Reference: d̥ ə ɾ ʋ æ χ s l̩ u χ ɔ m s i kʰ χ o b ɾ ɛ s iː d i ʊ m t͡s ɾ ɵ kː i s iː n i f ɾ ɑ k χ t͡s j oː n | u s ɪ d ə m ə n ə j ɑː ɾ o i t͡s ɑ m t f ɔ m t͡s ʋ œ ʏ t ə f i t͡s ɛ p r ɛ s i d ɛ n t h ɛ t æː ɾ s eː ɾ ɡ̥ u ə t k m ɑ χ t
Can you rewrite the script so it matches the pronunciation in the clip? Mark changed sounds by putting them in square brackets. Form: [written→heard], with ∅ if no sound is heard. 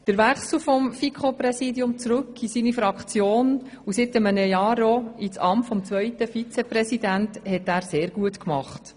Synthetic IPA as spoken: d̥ ə ɾ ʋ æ χ s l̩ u [χ→f] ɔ m [s→f] i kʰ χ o [b→p] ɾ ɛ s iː d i ʊ m t͡s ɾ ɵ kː i s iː n i f ɾ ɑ k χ t͡s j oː n | u s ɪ [d→t] ə m ə n ə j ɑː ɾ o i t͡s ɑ m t f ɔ m t͡s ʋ œ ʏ t ə f i t͡s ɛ p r ɛ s i d [ɛ→æ] n t h ɛ t æː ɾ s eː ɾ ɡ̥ u ə t k m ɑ χ t